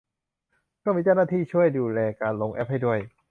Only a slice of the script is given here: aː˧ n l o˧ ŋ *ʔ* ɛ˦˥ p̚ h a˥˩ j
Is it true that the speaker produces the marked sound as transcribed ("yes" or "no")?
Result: yes